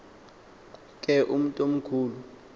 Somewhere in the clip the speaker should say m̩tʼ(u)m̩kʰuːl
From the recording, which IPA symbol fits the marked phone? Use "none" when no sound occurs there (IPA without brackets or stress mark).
o